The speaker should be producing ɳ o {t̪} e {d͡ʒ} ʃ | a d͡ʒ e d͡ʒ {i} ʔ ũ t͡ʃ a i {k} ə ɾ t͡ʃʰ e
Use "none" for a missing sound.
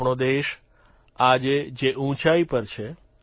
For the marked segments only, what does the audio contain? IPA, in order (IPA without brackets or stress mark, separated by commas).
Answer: d̪, none, e, p